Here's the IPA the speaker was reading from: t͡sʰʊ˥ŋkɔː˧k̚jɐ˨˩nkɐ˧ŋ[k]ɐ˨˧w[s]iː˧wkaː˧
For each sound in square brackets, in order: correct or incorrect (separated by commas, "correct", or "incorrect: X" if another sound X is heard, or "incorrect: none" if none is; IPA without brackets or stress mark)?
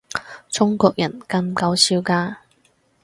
correct, correct